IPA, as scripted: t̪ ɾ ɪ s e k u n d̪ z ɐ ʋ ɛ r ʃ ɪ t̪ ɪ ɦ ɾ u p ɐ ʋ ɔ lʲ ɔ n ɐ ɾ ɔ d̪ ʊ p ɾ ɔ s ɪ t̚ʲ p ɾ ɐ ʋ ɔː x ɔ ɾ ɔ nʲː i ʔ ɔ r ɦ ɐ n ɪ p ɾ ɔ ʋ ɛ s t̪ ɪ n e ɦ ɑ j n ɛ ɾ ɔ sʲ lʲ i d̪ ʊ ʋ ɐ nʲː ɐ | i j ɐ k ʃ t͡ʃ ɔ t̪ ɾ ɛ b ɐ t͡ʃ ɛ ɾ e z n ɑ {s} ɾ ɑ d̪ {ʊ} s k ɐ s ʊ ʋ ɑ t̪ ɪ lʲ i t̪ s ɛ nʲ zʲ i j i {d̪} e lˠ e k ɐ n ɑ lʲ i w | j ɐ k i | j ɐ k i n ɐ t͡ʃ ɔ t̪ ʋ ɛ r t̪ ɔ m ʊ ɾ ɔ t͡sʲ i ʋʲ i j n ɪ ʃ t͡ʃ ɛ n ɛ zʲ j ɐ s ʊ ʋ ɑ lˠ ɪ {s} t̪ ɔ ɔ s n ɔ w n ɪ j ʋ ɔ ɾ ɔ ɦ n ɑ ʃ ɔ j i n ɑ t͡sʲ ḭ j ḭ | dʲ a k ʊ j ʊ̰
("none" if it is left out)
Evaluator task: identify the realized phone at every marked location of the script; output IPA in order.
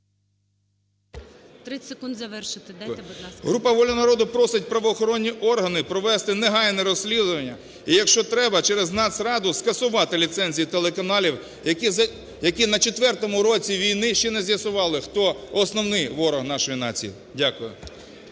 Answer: s, ʊ, t̪, x

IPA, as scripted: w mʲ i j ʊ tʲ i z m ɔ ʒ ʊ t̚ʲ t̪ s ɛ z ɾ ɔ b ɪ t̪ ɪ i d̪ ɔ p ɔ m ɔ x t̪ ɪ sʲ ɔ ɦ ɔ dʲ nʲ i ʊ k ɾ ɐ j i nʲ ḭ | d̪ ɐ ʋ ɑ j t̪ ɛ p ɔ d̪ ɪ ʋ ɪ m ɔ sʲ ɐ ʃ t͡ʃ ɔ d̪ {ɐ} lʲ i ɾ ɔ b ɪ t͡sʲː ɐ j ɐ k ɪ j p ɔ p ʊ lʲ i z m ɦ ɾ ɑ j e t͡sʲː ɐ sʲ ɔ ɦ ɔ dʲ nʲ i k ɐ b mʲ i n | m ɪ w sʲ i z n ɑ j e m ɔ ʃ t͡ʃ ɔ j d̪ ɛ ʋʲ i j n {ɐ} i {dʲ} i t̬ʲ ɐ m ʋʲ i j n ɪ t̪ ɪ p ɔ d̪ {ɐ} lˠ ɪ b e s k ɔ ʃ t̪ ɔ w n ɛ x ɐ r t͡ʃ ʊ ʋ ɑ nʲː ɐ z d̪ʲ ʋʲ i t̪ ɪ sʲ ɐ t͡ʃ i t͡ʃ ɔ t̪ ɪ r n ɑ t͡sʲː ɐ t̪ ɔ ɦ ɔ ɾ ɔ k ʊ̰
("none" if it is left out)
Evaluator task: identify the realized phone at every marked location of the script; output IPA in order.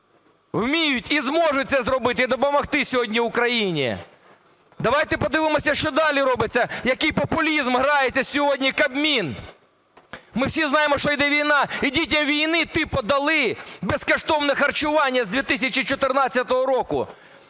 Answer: ɑ, ɑ, dʲ, ɐ

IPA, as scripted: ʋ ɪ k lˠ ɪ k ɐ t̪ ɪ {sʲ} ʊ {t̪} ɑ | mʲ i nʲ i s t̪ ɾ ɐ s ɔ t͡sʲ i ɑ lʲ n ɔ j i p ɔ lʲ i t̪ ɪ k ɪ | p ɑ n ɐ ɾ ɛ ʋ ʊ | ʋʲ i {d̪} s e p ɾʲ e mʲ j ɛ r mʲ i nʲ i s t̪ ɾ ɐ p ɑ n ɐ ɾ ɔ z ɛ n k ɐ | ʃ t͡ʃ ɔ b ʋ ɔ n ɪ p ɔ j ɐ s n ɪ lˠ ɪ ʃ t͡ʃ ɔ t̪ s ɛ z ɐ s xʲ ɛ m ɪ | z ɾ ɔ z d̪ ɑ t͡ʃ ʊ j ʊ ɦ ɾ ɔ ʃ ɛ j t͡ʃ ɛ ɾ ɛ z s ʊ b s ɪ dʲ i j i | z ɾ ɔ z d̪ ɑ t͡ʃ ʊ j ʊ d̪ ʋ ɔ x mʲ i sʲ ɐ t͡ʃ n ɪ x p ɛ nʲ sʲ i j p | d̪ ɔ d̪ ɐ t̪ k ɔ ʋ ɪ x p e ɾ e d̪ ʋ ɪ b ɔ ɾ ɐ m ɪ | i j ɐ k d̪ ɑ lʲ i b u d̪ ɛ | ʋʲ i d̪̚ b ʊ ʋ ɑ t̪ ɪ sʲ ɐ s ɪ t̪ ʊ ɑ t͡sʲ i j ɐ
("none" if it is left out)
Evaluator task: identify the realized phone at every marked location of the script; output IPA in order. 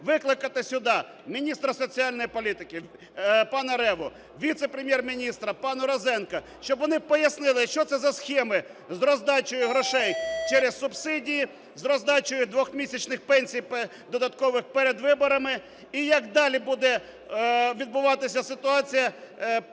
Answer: sʲ, d̪, t̪

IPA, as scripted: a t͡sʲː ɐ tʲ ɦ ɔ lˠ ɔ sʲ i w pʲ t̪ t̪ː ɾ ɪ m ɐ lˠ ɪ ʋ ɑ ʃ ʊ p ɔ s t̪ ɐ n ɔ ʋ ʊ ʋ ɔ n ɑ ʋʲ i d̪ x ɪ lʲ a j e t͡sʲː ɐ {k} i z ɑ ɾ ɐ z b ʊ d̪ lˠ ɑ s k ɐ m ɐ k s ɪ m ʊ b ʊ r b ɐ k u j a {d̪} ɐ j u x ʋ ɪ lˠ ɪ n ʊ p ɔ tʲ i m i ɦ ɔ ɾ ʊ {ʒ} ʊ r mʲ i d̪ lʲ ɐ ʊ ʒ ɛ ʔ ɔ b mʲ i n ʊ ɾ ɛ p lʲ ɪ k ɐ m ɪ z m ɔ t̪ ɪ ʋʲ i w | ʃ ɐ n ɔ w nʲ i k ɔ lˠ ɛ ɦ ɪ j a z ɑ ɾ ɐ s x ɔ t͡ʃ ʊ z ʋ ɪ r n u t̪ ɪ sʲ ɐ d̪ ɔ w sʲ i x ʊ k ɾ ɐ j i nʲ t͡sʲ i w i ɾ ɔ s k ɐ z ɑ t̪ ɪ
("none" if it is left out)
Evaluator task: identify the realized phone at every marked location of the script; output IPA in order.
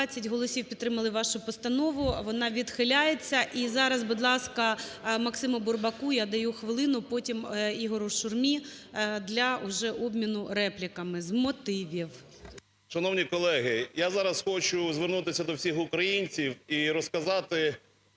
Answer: ʔ, d̪, ʃ

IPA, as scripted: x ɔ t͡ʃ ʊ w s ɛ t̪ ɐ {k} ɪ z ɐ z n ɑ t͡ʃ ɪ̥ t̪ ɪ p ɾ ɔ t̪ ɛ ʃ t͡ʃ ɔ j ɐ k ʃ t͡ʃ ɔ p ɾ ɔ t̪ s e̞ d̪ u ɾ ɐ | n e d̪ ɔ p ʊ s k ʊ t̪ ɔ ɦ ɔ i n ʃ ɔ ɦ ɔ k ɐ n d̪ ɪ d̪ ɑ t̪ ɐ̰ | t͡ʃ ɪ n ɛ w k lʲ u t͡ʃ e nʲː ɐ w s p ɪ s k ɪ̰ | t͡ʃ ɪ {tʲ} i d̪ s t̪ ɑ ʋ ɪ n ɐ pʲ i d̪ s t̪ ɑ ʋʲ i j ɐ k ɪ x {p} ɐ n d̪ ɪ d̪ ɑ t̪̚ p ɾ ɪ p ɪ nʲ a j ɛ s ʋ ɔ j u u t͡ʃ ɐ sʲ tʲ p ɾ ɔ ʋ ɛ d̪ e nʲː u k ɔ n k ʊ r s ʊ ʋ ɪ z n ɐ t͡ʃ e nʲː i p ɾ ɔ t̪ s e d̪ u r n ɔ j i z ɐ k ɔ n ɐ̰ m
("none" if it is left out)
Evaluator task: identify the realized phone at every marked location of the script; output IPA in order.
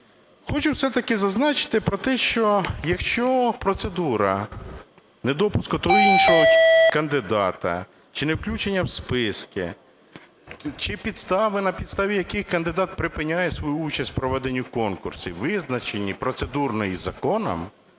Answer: k, pʲ, k

